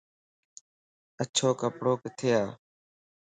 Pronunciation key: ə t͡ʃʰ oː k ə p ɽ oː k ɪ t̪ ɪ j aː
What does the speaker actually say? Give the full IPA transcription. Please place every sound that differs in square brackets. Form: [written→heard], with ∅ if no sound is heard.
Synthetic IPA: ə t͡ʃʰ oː k ə p ɽ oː k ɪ [t̪→t̪ʰ] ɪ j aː